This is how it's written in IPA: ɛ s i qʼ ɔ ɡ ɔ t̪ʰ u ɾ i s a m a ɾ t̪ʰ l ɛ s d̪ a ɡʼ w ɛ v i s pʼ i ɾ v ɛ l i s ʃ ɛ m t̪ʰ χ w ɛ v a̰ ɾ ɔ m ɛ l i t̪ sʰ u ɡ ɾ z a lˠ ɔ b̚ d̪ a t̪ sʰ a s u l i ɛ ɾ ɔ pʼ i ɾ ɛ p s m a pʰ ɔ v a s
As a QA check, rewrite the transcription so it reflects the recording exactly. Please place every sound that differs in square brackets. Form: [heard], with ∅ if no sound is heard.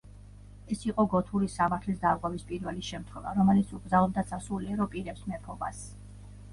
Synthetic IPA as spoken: ɛ s i qʼ ɔ ɡ ɔ t̪ʰ u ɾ i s a m a ɾ t̪ʰ l [i] s d̪ a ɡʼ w ɛ v i s pʼ i ɾ v ɛ l i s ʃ ɛ m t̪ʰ χ w ɛ v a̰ ɾ ɔ m ɛ l i t̪ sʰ u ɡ ɾ z a lˠ ɔ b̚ d̪ a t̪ sʰ a s u l i ɛ ɾ ɔ pʼ i ɾ ɛ p s m [ɛ] pʰ ɔ [b] a s